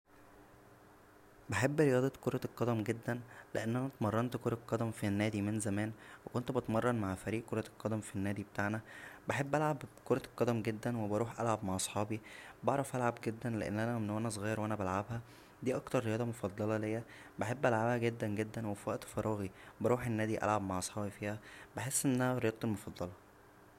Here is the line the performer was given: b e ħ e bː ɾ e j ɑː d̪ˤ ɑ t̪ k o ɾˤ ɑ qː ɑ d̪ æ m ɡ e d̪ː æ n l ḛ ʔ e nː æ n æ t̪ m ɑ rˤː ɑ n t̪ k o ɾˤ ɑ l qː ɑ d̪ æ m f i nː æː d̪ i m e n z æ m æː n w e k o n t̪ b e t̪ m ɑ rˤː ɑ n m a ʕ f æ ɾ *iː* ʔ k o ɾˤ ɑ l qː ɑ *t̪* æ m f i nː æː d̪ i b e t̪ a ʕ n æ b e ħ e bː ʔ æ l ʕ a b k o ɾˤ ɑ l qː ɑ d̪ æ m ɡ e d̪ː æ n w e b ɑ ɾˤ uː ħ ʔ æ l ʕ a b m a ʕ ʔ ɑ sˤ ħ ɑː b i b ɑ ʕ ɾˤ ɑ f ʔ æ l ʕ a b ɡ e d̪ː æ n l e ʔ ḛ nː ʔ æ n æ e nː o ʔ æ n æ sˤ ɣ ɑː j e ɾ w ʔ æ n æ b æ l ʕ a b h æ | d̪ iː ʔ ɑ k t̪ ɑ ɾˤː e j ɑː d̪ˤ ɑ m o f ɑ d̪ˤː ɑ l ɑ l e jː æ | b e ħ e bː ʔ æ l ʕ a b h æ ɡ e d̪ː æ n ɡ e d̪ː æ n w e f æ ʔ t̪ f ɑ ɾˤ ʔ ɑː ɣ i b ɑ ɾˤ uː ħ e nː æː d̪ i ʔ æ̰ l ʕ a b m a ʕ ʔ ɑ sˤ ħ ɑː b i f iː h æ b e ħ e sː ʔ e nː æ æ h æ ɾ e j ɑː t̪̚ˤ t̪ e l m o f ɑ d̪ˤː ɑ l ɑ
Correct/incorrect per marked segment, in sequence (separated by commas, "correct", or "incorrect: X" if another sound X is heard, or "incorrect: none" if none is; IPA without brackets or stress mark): correct, incorrect: d̪